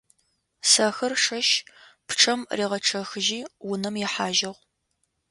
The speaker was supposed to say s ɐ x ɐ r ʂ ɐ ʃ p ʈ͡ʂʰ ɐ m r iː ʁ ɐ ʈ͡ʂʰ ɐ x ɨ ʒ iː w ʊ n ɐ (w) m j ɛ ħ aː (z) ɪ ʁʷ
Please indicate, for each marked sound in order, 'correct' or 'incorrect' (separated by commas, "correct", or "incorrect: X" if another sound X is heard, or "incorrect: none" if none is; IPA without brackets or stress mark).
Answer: incorrect: none, incorrect: ʒ